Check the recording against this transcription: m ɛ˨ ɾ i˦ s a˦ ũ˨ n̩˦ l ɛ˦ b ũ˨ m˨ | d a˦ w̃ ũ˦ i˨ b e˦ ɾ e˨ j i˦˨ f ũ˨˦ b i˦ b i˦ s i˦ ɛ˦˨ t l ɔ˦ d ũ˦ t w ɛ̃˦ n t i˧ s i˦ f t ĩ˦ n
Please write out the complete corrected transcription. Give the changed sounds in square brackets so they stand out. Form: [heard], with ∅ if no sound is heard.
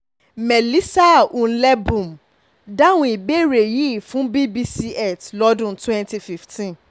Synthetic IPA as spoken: m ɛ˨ [l] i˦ s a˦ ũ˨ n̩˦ l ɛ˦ b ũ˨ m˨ | d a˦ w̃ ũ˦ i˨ b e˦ ɾ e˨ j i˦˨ f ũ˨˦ b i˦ b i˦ s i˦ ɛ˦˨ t l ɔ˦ d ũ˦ t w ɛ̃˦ n t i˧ [f] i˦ f t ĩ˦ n